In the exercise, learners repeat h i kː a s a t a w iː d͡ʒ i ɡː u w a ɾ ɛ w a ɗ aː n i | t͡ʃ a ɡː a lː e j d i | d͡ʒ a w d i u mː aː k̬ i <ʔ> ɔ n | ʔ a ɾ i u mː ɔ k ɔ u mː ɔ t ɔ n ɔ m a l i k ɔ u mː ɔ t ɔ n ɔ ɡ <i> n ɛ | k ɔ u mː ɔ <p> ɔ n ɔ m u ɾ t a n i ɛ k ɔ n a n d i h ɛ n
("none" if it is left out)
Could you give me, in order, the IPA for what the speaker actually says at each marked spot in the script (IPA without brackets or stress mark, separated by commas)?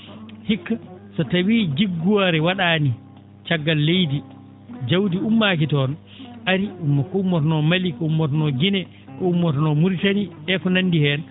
t, i, t